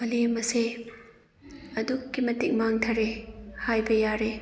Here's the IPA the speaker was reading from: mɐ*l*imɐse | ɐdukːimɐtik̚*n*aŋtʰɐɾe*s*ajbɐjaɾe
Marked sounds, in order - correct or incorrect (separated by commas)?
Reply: correct, incorrect, incorrect